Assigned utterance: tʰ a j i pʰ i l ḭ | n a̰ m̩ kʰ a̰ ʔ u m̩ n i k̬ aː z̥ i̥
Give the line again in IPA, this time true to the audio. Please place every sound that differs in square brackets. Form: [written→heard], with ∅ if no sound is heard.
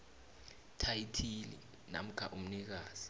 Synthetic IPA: tʰ a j i [pʰ→tʰ] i l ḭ | n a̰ m̩ kʰ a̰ ʔ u m̩ n i k̬ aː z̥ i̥